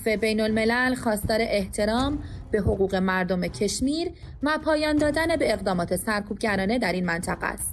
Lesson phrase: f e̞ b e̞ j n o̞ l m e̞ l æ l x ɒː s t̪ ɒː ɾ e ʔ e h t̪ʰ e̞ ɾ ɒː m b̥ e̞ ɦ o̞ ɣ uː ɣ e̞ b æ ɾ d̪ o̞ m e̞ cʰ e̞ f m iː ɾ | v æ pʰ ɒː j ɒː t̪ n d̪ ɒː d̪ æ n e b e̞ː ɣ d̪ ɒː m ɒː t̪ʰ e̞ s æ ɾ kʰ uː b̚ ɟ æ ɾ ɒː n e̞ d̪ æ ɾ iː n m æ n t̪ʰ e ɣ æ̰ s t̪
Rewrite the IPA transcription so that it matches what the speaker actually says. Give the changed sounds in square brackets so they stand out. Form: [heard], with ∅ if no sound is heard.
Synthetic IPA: f e̞ b e̞ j n o̞ l m e̞ l æ l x ɒː s t̪ ɒː ɾ e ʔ e h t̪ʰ e̞ ɾ ɒː m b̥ e̞ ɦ o̞ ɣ uː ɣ e̞ [m] æ ɾ d̪ o̞ m e̞ cʰ e̞ [ʃ] m iː ɾ | v æ pʰ ɒː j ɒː [∅] n d̪ ɒː d̪ æ n e b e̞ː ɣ d̪ ɒː m ɒː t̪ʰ e̞ s æ ɾ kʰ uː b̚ ɟ æ ɾ ɒː n e̞ d̪ æ ɾ iː n m æ n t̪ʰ [æ] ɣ æ̰ s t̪